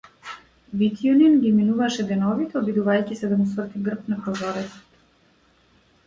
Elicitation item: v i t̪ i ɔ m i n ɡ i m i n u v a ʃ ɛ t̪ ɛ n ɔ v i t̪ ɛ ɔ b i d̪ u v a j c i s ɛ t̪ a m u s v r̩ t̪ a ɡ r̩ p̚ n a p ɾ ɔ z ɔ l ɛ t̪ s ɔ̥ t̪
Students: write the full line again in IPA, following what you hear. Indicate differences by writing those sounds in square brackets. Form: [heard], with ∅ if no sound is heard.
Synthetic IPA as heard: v i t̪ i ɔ [n] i n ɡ i m i n u v a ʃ ɛ [d̪] ɛ n ɔ v i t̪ ɛ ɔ b i d̪ u v a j c i s ɛ [d̪] a m u s v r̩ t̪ [i] ɡ r̩ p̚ n a p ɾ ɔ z ɔ [ɾ] ɛ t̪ s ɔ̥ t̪